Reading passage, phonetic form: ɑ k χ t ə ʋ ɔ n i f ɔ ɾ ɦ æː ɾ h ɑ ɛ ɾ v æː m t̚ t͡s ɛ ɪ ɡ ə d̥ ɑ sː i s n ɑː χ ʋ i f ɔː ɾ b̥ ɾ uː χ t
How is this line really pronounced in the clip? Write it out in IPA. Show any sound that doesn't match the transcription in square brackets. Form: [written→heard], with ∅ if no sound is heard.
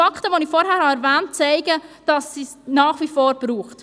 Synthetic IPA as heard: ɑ k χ t ə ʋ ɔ n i f ɔ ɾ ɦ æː ɾ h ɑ ɛ ɾ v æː [m→n] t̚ t͡s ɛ ɪ ɡ ə d̥ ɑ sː i s n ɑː χ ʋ i f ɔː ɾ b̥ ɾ uː χ t

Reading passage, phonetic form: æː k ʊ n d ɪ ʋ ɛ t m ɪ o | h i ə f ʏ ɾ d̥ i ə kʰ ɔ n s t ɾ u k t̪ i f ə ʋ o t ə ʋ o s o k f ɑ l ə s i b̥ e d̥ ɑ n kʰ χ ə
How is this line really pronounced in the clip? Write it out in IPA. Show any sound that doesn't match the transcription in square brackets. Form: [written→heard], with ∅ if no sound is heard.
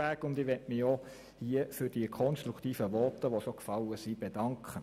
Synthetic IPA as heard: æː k ʊ n d ɪ ʋ ɛ t m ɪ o | h i ə f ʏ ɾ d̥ i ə kʰ ɔ n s t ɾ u k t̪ [i→iː] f ə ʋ [o→ɔ] t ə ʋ o s o k f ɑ l ə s i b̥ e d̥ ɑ [n→ŋ] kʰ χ ə

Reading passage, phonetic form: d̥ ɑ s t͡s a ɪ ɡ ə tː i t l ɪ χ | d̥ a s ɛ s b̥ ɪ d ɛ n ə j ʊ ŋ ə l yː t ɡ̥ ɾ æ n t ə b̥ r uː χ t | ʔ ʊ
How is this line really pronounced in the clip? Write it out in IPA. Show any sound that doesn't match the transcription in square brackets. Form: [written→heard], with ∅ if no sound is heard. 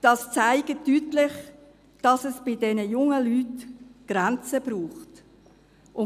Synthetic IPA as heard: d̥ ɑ s t͡s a ɪ ɡ ə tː [i→y] t l ɪ χ | d̥ [a→ɑ] s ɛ s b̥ ɪ d ɛ n ə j ʊ ŋ ə l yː t ɡ̥ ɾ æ n [t→t͡s] ə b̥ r uː χ t | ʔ ʊ

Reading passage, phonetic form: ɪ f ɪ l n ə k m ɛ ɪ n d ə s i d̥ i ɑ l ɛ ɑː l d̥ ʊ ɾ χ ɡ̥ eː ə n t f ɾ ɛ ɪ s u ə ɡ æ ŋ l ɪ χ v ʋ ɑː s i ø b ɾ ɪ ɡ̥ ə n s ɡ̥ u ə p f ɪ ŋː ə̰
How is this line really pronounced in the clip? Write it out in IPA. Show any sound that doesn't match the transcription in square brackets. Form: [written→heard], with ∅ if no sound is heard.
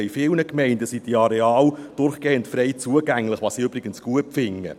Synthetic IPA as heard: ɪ f ɪ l n ə k m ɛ ɪ n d ə s i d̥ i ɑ [l→ɾ] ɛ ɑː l d̥ ʊ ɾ χ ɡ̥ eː ə n t f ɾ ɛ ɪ [s→t͡s] u ə ɡ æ ŋ l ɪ χ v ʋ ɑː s i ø b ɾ ɪ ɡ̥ ə n s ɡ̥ u ə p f ɪ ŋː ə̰

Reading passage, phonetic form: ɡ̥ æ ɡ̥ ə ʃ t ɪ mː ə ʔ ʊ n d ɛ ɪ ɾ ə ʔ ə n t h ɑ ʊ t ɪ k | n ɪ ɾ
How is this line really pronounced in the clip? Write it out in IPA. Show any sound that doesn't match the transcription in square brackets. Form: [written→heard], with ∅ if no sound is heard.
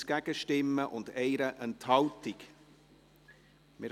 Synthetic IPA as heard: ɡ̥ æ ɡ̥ ə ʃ t ɪ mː ə ʔ ʊ n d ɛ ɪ ɾ ə ʔ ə n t h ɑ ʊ t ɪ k | [n→m] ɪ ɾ

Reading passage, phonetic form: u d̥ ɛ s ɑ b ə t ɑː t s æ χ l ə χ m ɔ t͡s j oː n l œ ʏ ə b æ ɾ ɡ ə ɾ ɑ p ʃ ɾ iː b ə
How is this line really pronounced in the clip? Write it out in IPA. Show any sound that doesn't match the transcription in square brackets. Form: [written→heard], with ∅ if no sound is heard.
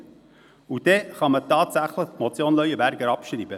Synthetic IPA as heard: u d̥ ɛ [s→χ] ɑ [b→m] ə t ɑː t s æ χ l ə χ m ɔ t͡s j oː n l œ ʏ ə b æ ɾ ɡ ə ɾ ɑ p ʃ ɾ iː b ə

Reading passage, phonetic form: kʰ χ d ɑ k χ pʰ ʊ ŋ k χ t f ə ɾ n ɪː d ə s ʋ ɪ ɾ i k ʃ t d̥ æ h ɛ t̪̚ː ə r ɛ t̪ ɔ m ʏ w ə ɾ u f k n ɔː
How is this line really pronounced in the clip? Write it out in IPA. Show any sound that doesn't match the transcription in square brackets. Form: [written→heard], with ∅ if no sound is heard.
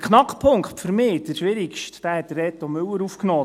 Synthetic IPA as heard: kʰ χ [d→n] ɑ k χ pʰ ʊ ŋ k χ t f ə ɾ [n→m] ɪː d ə [s→ʃ] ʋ ɪ ɾ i k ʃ t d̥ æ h ɛ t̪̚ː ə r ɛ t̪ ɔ m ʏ w ə ɾ u f k n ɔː

